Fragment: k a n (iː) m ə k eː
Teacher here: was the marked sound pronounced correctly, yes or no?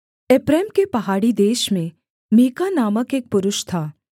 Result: no